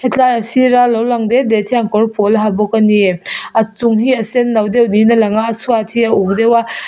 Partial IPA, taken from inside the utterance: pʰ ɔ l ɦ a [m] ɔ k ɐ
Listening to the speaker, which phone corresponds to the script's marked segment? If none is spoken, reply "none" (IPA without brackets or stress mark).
b